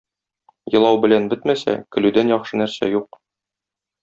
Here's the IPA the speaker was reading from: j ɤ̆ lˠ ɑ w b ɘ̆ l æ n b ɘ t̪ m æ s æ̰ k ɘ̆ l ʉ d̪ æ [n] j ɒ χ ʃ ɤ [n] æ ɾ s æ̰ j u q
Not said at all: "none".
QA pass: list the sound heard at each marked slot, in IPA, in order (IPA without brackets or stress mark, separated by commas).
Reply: n, n